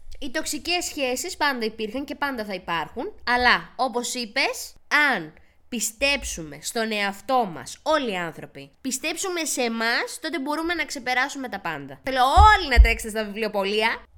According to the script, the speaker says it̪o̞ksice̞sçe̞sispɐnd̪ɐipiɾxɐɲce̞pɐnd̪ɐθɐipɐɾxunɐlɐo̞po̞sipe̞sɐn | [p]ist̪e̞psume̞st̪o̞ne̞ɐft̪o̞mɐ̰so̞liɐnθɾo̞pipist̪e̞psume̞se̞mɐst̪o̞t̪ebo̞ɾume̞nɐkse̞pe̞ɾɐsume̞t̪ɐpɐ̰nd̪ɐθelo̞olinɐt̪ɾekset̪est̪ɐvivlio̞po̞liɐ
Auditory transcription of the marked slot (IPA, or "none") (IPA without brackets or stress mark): p